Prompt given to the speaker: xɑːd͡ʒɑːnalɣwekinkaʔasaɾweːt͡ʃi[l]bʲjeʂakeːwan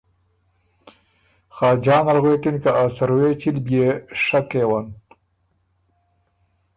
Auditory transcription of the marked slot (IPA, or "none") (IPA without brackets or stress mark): l